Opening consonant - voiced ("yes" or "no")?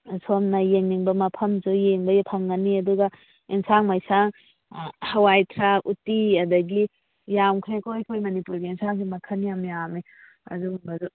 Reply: no